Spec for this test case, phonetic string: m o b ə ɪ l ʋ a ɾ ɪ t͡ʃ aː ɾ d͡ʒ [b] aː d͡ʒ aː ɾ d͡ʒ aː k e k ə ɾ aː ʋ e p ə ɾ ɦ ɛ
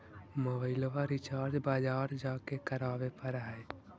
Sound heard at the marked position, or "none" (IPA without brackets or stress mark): b